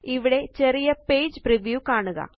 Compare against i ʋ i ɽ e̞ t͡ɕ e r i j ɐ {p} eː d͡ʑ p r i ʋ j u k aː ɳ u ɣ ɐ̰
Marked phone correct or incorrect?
correct